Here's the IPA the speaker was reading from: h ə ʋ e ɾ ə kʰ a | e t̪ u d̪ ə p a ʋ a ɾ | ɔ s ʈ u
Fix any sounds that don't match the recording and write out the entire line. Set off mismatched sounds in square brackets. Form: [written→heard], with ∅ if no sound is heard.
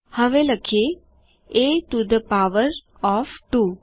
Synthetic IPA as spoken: h ə ʋ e [ɾ→l] ə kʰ [a→e] | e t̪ u d̪ ə p a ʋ [a→ə] ɾ | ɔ [s→f] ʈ u